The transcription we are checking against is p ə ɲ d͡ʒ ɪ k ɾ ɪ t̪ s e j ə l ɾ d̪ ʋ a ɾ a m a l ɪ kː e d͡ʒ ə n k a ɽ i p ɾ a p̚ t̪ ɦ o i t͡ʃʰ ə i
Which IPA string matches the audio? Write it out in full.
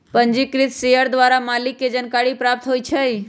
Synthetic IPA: p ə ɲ d͡ʒ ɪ k ɾ ɪ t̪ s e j ə ɾ d̪ ʋ a ɾ a m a l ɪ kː e d͡ʒ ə n k a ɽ i p ɾ a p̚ t̪ ɦ o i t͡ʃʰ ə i

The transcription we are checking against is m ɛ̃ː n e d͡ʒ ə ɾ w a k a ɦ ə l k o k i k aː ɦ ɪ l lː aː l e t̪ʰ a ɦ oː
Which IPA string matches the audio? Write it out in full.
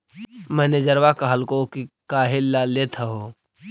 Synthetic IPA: m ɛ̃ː n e d͡ʒ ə ɾ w a k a ɦ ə l k o k i k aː ɦ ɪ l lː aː l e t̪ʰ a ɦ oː

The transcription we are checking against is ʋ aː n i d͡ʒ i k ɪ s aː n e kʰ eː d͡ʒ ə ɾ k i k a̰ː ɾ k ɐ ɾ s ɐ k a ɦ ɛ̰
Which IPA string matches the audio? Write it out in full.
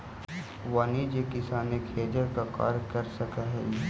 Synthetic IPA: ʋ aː n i d͡ʒ e k ɪ s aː n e kʰ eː d͡ʒ ə ɾ k a k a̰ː ɾ k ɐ ɾ s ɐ k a ɦ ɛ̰

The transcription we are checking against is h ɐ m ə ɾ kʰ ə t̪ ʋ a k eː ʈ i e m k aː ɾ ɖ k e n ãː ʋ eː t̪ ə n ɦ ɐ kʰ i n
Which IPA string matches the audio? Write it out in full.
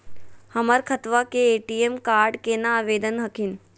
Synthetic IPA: h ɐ m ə ɾ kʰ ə t̪ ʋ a k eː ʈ i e m k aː ɾ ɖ k e n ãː ʋ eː d̪ ə n ɦ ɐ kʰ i n

